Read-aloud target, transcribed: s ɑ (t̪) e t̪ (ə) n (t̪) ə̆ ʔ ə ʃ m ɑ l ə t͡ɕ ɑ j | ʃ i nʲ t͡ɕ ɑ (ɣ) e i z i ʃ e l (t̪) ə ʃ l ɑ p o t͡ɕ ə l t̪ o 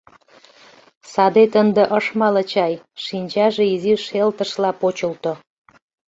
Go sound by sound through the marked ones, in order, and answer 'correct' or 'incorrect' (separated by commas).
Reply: incorrect, correct, incorrect, incorrect, correct